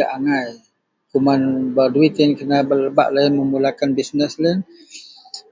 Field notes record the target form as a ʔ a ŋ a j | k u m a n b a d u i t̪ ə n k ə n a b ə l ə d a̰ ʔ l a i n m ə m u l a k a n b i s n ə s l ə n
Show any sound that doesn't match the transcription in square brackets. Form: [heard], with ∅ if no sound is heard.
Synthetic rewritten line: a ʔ a ŋ a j | k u m a n b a d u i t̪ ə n k ə n a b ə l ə [b] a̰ ʔ l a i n m ə m u l a k a n b i s n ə s l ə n